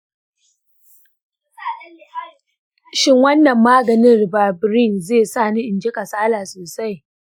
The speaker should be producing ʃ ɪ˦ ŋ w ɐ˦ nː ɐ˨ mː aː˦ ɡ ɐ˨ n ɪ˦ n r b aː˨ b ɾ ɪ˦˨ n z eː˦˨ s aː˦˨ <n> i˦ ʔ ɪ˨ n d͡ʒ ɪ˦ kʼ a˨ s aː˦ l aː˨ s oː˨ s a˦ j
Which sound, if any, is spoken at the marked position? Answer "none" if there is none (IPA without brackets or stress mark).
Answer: n